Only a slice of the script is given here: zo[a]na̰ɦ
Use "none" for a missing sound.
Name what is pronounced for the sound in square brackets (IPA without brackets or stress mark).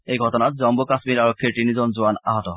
a